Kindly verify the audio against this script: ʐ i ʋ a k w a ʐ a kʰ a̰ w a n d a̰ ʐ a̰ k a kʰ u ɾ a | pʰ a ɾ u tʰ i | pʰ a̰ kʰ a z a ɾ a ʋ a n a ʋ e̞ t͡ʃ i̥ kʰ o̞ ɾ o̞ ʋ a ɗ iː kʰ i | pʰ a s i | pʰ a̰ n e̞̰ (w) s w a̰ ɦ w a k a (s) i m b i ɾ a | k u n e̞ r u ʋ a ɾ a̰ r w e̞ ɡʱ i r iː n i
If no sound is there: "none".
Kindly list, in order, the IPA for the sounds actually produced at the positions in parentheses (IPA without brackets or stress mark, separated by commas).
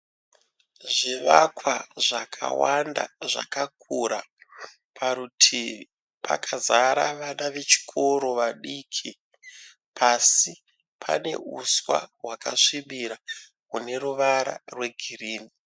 u, ʂ